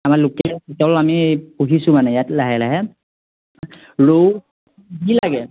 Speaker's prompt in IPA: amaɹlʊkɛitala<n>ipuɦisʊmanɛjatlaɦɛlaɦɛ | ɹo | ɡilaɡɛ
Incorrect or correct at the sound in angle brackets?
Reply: incorrect: m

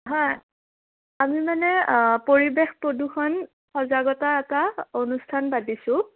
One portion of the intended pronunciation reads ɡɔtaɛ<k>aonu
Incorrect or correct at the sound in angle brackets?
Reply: incorrect: t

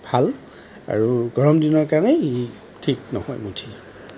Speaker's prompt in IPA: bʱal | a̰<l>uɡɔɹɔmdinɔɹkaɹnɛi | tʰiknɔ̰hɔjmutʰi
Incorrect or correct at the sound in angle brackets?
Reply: incorrect: ɹ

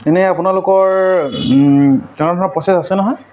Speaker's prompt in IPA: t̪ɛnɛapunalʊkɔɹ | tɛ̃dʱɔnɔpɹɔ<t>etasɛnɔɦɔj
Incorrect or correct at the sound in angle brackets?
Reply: incorrect: s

